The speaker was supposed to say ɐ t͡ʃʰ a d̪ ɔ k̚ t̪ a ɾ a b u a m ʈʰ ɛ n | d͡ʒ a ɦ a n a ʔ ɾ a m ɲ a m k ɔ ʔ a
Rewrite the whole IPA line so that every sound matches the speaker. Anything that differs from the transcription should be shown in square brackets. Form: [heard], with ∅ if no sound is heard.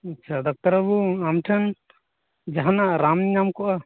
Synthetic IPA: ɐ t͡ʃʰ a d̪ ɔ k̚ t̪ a ɾ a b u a m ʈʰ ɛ n | d͡ʒ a ɦ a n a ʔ ɾ a m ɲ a m k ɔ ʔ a